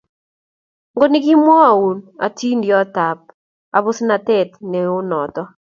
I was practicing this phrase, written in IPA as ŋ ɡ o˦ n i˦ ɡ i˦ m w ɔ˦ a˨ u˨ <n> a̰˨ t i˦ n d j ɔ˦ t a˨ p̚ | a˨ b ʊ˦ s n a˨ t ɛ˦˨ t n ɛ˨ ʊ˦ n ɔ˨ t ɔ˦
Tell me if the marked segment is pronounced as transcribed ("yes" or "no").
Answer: yes